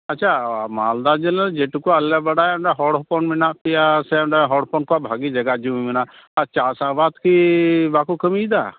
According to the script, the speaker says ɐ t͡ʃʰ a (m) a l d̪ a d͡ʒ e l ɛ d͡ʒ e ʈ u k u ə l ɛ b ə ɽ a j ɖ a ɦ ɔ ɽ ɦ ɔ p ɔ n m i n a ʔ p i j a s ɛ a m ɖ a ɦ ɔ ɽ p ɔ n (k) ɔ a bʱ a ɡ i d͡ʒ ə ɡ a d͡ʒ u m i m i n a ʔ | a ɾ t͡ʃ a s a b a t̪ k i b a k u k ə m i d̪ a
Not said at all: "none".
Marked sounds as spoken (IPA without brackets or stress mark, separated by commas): m, k